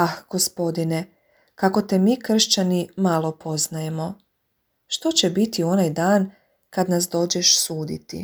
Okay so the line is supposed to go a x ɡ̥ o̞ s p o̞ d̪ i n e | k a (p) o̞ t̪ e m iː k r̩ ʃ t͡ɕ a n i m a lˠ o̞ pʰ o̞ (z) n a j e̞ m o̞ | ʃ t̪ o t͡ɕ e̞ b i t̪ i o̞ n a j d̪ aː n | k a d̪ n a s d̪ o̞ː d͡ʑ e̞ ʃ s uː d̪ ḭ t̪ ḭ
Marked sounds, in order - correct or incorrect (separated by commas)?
incorrect, correct